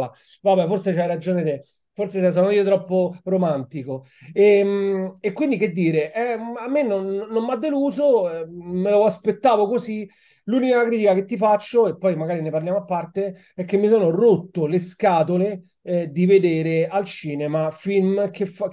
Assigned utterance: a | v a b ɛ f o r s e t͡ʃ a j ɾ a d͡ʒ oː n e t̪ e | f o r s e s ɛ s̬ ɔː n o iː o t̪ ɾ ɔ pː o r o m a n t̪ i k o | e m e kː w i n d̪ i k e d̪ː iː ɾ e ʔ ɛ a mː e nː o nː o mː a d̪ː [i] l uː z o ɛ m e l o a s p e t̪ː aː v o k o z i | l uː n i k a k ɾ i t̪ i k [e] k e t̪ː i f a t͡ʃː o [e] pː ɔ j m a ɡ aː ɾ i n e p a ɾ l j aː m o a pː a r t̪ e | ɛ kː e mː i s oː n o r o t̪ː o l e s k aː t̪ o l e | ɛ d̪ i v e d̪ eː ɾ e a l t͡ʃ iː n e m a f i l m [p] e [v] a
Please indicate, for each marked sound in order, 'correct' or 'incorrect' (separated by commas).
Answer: incorrect, incorrect, correct, incorrect, incorrect